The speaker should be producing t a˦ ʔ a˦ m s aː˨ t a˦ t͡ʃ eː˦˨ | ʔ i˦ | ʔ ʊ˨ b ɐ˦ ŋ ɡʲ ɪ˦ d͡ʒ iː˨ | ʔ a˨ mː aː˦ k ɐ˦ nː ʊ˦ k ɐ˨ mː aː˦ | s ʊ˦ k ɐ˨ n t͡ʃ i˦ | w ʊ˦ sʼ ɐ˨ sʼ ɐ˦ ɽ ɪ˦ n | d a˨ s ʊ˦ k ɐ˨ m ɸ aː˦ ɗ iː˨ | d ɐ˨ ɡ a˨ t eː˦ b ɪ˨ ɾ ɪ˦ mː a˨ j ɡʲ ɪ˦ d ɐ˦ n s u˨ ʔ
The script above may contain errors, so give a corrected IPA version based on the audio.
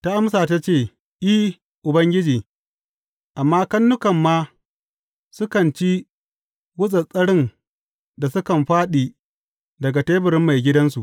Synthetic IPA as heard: t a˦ ʔ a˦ m s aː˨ t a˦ t͡ʃ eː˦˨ | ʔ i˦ | ʔ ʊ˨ b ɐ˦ ŋ ɡʲ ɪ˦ d͡ʒ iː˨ | ʔ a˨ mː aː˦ k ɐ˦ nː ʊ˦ k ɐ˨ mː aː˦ | s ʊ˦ k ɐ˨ n t͡ʃ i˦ | w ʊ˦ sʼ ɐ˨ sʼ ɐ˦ ɽ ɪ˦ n | d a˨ s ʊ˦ k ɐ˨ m ɸ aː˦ ɗ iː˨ | d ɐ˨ ɡ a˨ t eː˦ b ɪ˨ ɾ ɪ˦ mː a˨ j ɡʲ ɪ˦ d ɐ˦ n s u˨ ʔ